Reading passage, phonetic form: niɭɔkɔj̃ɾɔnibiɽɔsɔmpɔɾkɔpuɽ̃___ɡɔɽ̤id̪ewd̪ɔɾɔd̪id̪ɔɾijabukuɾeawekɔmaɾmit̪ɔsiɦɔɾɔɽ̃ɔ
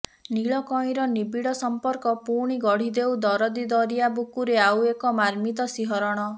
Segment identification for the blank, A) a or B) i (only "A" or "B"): B